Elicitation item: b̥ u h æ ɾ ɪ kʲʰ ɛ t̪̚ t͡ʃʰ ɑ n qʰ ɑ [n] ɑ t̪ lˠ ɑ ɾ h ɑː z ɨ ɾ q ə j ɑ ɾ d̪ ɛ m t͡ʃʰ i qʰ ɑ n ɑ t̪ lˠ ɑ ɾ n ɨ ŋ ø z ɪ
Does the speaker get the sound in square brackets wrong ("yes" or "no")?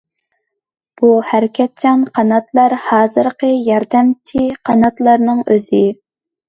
no